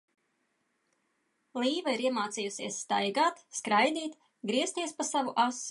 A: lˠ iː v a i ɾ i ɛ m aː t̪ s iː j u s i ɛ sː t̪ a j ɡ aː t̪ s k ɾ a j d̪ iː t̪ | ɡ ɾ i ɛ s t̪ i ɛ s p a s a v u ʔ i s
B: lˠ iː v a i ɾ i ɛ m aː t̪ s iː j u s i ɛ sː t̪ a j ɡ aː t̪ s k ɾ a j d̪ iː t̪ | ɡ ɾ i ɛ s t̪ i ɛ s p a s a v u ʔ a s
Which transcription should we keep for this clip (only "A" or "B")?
B